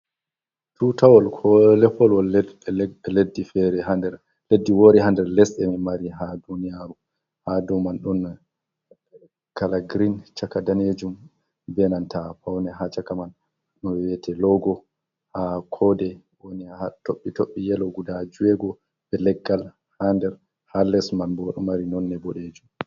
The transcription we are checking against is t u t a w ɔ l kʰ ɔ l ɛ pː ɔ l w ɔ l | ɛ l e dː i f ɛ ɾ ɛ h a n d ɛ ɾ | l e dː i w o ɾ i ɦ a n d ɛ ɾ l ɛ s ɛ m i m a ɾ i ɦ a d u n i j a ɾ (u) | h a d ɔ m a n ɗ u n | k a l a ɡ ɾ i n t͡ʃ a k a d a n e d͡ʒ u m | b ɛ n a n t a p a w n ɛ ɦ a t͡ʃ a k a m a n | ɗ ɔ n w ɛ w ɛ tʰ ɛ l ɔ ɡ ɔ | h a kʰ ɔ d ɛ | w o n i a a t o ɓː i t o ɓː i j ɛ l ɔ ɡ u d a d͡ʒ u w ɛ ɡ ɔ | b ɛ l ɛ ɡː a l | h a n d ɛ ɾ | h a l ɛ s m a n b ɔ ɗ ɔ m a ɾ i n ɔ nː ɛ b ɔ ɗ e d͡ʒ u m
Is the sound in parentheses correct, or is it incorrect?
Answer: correct